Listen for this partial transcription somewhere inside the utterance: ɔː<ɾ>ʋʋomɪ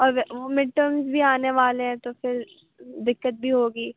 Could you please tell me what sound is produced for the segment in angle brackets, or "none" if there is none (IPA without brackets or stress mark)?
ɾ